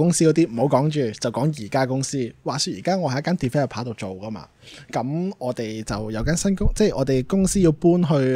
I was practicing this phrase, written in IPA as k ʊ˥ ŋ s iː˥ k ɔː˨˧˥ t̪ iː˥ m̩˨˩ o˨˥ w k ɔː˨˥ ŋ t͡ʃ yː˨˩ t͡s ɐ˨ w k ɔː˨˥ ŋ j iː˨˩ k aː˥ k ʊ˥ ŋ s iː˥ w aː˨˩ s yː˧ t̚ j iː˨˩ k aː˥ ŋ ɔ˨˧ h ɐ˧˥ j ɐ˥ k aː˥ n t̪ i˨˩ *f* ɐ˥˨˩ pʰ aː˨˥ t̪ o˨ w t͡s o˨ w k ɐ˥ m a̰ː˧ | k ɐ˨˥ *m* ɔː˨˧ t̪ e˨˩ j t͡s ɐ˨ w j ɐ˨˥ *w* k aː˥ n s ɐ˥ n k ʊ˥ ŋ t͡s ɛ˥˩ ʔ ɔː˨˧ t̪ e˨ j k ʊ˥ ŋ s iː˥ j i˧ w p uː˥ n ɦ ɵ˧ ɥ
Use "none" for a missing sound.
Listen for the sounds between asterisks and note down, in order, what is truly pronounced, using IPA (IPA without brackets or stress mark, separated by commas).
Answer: f, m, w